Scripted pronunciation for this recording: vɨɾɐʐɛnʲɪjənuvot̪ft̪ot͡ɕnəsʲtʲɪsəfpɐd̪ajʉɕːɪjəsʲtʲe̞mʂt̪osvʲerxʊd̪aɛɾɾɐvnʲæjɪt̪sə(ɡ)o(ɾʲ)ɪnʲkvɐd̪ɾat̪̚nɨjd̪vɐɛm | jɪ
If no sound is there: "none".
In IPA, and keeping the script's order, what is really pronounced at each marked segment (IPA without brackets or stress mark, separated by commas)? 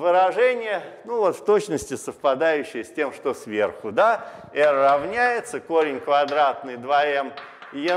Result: k, ɾʲ